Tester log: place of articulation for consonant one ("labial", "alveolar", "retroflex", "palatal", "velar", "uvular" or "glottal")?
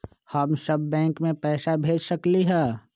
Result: glottal